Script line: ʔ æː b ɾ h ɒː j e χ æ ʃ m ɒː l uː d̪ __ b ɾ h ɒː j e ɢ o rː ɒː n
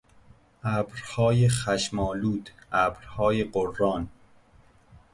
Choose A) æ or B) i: A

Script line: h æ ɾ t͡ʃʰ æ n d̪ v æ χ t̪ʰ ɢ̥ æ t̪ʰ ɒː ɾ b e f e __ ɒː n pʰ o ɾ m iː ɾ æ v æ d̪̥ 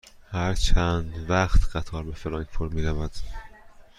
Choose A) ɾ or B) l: B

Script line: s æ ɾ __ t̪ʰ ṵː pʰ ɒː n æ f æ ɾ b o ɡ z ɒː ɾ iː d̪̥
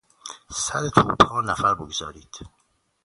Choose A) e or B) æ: A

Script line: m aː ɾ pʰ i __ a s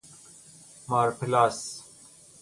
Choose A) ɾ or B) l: B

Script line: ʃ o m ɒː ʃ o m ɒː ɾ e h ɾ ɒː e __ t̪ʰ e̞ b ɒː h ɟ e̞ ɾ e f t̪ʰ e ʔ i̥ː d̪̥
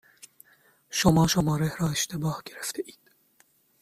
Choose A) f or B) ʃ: B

